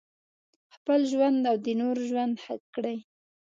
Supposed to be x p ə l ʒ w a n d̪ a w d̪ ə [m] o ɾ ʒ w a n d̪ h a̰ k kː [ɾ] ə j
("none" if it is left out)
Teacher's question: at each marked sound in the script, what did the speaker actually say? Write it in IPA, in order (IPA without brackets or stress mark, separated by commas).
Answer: n, ɽ